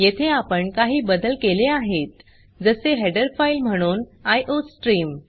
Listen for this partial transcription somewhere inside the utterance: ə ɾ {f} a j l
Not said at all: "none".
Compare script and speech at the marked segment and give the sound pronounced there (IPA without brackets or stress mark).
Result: f